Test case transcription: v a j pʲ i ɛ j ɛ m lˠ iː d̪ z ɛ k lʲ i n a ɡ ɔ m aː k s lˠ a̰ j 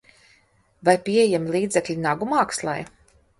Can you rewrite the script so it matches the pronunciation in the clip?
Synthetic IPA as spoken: v a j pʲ i ɛ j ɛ m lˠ iː d̪ z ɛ k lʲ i n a ɡ u m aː k s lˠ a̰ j